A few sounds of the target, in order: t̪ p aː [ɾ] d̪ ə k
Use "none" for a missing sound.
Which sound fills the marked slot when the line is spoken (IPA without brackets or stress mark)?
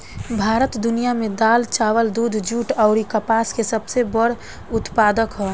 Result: none